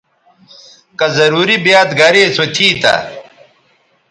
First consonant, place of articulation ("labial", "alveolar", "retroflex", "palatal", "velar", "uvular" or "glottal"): velar